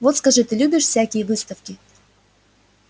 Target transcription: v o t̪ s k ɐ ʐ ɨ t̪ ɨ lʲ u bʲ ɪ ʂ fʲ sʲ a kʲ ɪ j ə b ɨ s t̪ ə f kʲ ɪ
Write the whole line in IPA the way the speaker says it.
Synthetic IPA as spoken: v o t̪ s k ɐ ʐ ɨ t̪ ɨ lʲ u bʲ ɪ ʂ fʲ sʲ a kʲ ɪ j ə v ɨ s t̪ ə f kʲ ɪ